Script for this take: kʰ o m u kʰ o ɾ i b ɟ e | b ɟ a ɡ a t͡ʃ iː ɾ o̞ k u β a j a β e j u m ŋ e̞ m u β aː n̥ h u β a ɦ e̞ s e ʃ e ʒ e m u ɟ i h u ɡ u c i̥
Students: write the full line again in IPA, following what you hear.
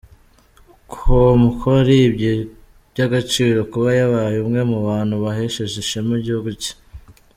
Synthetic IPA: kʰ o m u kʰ o ɾ i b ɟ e | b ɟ a ɡ a t͡ʃ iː ɾ o̞ k u β a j a β a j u m ŋ e̞ m u β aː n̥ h u β a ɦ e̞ ʃ e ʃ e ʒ e m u ɟ i h u ɡ u c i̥